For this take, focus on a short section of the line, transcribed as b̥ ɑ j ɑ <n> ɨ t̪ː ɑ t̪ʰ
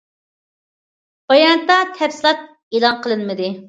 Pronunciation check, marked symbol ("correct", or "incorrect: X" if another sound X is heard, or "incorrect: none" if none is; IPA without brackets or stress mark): correct